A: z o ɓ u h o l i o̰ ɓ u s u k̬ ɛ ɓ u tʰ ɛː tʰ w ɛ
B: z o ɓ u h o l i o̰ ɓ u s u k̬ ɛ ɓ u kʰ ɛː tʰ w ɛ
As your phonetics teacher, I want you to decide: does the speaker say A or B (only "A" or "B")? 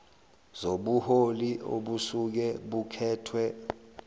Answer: B